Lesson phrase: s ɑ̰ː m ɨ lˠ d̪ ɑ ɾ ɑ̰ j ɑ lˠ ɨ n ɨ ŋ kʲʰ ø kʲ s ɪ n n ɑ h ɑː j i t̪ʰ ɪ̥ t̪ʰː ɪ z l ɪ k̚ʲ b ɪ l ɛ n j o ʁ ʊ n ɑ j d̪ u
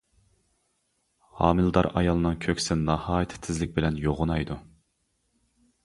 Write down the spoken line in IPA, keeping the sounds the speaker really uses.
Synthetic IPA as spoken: h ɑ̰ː m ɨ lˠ d̪ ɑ ɾ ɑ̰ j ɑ lˠ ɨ n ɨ ŋ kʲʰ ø kʲ s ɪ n n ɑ h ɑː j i t̪ʰ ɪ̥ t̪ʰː ɪ z l ɪ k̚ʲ b ɪ l ɛ n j o ʁ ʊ n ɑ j d̪ u